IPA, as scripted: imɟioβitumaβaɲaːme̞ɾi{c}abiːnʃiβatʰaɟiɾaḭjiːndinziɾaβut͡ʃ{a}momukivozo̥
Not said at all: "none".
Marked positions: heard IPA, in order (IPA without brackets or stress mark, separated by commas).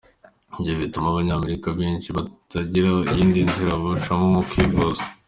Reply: k, a